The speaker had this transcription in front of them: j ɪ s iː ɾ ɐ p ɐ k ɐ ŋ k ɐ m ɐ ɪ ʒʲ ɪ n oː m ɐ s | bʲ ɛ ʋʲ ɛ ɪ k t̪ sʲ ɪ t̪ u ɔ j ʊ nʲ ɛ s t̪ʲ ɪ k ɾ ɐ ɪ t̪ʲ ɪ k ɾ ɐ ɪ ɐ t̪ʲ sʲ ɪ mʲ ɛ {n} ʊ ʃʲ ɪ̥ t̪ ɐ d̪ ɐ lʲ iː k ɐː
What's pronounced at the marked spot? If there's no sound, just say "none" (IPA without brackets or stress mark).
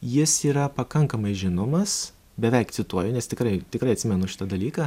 n